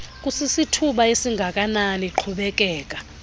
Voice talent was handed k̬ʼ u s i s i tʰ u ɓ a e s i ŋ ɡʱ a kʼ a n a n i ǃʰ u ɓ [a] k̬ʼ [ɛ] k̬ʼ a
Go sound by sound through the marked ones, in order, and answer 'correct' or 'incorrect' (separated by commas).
incorrect, incorrect